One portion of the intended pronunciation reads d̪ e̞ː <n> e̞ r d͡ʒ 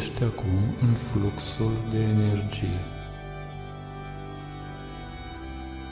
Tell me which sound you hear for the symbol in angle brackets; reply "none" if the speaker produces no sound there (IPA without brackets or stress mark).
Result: n